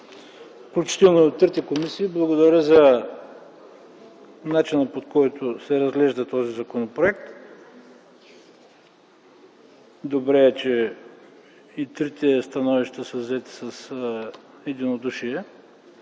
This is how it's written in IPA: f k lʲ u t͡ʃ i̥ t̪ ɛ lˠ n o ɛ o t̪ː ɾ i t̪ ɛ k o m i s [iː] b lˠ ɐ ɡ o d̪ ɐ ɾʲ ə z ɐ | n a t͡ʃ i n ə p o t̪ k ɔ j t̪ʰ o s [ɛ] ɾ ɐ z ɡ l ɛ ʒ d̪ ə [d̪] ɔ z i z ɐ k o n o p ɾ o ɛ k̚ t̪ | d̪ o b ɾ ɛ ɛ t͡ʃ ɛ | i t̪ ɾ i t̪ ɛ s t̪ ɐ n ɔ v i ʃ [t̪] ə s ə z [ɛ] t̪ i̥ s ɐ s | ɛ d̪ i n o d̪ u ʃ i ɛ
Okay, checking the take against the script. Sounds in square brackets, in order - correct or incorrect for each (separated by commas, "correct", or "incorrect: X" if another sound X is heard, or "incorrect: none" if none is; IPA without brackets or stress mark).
correct, correct, incorrect: t̪, correct, correct